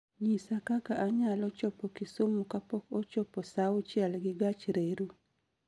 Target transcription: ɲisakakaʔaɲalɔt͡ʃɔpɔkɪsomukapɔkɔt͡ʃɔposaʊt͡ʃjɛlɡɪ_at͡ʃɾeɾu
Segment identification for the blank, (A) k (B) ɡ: B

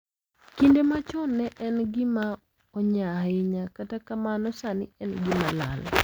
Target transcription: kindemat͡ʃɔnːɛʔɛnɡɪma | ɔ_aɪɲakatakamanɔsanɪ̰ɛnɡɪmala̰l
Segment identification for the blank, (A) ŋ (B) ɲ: B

